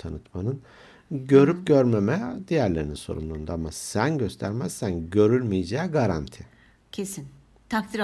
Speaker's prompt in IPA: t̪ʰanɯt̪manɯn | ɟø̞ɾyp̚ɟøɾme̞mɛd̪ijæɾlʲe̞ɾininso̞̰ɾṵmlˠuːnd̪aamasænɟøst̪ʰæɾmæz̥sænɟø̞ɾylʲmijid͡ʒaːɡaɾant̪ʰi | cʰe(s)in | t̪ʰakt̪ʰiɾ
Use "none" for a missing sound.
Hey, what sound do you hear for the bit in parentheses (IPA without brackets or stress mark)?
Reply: s